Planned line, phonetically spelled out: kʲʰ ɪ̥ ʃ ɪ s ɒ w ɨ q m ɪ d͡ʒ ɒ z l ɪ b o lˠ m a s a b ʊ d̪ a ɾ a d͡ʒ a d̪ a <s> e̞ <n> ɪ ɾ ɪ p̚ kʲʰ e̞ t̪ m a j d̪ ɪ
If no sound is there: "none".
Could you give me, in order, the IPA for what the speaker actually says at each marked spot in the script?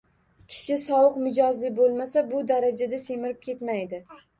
s, m

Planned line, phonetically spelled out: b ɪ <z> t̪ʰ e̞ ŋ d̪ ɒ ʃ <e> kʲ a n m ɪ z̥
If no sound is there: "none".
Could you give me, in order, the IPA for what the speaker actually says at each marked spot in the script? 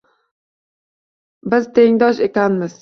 z, e

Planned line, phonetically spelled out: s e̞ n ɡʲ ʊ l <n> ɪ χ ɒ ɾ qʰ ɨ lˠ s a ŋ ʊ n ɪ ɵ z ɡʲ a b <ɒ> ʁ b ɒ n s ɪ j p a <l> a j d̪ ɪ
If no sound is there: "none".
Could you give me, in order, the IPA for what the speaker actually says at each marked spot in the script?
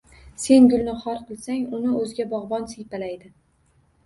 n, ɒ, l

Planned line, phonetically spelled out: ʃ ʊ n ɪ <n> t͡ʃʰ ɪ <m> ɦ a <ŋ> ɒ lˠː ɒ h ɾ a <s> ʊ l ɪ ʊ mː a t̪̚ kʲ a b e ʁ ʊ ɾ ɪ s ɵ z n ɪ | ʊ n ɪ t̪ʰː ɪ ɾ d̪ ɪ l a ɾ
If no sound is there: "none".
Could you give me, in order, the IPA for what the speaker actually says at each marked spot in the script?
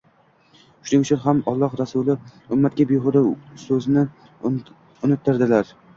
ŋ, n, m, s

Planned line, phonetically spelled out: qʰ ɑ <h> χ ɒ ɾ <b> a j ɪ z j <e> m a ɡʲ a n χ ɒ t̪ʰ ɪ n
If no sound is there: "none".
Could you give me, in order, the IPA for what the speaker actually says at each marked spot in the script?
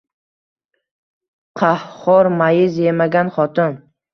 h, m, e

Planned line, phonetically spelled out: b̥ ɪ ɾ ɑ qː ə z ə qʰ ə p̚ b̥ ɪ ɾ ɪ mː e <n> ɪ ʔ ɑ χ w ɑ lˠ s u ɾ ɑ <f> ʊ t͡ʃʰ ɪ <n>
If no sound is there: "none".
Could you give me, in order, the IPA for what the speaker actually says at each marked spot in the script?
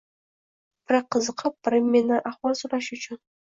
n, ʃ, n

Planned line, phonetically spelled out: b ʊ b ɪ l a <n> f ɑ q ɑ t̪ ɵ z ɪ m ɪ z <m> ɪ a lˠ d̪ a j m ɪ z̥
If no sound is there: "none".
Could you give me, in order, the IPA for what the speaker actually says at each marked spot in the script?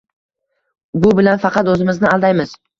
n, n

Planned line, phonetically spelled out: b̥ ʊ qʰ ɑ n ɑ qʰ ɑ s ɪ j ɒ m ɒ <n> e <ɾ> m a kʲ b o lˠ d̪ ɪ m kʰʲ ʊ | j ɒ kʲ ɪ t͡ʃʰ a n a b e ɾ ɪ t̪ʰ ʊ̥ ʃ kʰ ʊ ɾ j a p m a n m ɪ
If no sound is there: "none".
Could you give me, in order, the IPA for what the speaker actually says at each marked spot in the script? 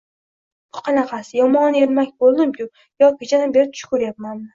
n, ɾ

